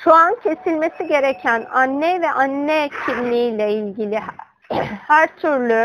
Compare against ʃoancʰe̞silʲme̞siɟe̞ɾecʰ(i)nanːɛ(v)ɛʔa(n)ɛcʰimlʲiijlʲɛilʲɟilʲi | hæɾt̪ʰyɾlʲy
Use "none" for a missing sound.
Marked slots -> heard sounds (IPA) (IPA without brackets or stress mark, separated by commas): æ, v, nː